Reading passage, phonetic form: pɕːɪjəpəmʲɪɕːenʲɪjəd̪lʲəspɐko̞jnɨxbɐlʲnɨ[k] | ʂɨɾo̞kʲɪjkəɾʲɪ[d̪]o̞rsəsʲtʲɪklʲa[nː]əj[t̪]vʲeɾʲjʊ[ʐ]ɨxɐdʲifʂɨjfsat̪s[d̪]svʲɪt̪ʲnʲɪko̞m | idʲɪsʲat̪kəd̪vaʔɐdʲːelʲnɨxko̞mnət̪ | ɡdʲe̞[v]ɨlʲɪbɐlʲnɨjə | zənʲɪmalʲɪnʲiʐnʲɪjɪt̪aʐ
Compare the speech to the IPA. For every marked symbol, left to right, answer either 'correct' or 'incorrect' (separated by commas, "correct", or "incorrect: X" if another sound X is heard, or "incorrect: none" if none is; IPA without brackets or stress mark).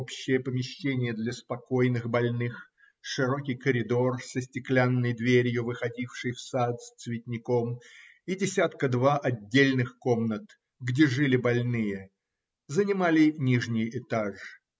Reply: incorrect: x, correct, correct, incorrect: d̪, incorrect: v, incorrect: t̪, incorrect: ʐ